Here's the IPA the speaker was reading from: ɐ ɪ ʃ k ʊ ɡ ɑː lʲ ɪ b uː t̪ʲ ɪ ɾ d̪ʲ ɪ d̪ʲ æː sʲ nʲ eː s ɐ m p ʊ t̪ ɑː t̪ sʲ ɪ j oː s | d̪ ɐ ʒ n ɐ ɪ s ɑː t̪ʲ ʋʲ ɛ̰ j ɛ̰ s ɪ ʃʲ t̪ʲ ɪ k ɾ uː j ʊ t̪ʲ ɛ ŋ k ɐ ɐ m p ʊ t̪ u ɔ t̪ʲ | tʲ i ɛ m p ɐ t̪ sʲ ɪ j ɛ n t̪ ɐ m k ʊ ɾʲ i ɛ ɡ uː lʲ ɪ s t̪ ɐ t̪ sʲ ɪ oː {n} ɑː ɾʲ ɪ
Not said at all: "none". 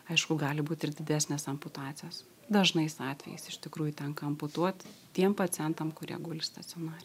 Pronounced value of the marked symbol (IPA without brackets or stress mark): n